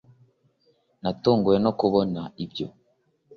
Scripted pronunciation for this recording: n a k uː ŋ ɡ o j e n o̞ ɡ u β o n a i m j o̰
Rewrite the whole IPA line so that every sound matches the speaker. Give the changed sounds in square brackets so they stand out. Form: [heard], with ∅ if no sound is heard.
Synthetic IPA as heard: n a [t] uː ŋ ɡ [u] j e n o̞ [k] u β o n a i [b] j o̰